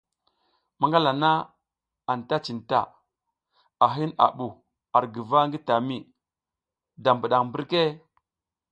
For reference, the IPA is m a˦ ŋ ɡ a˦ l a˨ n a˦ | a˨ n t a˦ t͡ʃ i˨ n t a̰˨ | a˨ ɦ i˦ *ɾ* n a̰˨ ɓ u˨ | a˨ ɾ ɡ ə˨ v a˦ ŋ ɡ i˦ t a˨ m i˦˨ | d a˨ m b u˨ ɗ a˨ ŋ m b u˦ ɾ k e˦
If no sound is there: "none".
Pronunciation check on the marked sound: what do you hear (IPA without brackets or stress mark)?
none